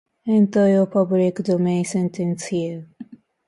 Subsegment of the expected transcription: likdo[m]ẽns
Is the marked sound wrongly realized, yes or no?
no